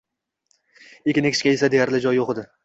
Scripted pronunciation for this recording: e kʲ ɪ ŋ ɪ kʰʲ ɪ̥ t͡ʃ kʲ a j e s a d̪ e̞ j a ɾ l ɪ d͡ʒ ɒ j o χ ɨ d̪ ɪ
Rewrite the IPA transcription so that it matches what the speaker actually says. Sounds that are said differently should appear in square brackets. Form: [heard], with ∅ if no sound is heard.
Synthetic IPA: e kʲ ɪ [n] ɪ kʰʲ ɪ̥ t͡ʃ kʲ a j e s a d̪ e̞ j a ɾ l ɪ d͡ʒ ɒ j o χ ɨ d̪ ɪ